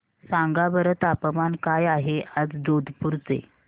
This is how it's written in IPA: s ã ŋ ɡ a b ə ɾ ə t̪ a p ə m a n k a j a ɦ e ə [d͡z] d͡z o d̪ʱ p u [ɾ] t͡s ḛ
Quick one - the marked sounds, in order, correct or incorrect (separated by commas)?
correct, correct